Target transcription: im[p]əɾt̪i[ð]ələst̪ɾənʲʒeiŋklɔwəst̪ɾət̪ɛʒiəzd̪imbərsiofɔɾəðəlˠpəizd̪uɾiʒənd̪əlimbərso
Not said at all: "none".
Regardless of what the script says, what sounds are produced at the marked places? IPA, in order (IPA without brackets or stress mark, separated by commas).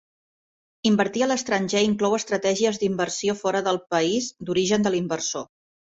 b, none